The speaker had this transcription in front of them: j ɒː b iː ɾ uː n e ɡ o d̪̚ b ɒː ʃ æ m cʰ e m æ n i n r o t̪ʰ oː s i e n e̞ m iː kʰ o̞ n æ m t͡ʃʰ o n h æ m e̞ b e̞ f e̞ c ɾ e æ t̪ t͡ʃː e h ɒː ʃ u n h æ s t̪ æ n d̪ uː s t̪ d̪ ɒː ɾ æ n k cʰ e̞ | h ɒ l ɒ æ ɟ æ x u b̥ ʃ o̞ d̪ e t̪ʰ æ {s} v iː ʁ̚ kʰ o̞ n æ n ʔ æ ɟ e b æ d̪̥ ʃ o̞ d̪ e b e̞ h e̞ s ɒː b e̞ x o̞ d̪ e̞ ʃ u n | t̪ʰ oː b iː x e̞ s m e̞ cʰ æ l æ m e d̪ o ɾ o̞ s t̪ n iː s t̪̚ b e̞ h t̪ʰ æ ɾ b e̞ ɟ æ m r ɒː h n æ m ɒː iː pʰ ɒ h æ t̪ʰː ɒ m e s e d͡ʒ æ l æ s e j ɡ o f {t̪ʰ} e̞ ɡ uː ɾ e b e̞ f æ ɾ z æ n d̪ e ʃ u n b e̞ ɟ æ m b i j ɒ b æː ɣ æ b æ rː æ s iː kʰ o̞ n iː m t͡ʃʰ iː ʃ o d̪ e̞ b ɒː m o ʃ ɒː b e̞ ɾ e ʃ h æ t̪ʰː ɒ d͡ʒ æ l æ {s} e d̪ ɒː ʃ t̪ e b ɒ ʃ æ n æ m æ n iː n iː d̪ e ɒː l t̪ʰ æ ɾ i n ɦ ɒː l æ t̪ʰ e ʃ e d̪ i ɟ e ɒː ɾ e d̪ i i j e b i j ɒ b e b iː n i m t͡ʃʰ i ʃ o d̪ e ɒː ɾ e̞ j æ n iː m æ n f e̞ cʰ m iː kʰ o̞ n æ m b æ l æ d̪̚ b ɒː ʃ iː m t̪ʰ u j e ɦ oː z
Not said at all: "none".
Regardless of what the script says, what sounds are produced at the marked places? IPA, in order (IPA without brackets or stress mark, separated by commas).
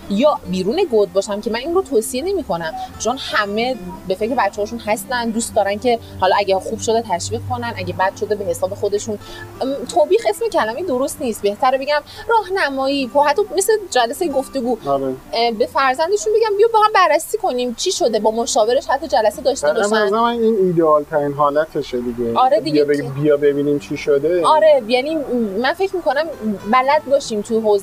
ʃ, t̪, s